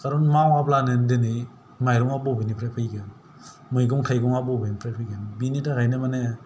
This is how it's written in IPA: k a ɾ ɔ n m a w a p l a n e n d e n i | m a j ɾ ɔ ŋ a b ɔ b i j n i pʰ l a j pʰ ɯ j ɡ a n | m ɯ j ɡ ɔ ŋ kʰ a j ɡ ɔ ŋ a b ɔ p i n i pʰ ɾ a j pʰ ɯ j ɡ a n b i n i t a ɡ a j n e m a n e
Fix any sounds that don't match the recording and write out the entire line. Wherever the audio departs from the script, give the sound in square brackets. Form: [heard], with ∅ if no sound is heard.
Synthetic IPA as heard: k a ɾ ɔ n m a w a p l a n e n d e n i | m a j ɾ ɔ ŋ a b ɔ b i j n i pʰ [ɾ] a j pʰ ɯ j ɡ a n | m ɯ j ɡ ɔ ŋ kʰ a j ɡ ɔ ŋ a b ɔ [b] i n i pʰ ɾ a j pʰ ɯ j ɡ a n b i n i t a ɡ a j n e m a n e